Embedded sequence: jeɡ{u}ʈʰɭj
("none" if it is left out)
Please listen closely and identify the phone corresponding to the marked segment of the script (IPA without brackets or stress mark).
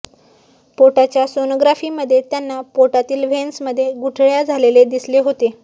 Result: u